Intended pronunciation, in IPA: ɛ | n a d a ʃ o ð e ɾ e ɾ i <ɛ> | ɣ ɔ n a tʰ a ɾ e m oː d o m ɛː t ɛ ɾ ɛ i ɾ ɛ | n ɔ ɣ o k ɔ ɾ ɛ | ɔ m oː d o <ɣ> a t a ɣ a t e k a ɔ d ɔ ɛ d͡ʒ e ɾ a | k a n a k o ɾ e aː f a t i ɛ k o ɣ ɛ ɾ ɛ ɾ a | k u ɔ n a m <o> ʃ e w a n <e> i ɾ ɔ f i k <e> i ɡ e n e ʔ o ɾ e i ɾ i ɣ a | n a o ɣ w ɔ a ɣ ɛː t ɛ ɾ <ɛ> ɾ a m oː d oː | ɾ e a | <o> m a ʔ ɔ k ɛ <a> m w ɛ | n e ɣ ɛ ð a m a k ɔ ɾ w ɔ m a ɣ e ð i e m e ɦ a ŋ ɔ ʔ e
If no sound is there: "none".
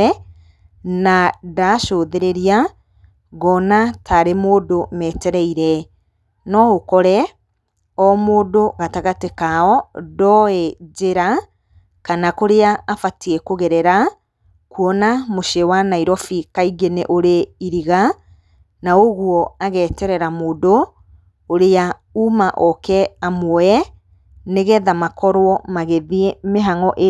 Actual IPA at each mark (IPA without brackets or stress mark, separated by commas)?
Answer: a, ɣ, o, a, a, ɛ, u, a